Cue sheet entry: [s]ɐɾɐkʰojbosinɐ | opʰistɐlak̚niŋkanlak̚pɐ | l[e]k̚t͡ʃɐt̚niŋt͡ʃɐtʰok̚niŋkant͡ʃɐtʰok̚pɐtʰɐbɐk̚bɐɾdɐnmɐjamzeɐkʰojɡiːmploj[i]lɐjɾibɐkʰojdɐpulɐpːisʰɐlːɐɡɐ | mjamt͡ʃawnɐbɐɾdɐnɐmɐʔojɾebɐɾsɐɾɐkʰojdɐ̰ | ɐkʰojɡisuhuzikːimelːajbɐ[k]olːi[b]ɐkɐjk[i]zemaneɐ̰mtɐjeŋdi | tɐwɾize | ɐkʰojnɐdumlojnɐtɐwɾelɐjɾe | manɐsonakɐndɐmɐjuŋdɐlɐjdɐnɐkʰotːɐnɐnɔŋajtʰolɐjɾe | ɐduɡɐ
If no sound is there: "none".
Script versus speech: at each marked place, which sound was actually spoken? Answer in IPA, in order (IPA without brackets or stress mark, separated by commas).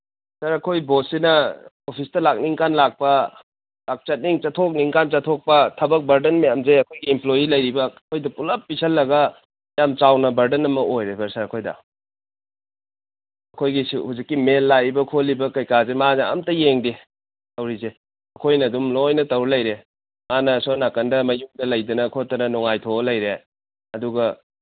s, a, i, kʰ, b, a